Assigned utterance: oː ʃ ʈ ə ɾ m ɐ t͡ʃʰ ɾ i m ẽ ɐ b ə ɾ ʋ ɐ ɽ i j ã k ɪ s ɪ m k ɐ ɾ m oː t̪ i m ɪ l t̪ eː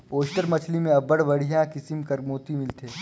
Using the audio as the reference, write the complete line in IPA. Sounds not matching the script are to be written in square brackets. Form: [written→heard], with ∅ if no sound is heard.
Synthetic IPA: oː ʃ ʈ ə ɾ m ɐ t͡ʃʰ [ɾ→l] i m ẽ ɐ b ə [ɾ→ɽ] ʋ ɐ ɽ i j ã k ɪ s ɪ m k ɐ ɾ m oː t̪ i m ɪ l t̪ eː